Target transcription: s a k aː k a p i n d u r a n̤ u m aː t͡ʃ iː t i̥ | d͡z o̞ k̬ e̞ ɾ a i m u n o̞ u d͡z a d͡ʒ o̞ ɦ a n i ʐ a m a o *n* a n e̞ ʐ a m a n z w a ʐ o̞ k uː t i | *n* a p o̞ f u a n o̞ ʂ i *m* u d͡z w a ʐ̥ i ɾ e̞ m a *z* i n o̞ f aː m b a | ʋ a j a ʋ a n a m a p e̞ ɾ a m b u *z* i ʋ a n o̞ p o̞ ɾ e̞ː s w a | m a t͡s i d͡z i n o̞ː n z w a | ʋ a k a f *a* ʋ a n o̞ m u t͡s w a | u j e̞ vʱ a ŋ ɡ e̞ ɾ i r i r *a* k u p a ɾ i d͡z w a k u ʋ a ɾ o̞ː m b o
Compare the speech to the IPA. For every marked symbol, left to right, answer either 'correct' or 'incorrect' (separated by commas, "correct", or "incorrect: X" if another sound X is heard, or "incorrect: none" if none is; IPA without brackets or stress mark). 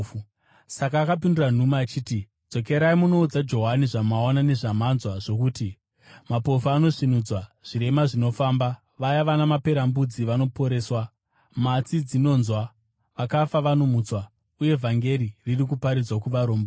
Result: correct, incorrect: m, incorrect: n, incorrect: ʐ, incorrect: d͡z, correct, incorrect: i